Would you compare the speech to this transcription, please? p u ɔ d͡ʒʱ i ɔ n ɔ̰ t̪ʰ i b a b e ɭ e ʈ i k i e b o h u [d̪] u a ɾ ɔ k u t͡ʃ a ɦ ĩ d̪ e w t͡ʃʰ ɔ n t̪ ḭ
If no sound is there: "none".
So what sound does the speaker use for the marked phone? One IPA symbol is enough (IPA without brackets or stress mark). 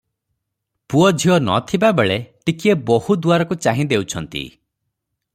d̪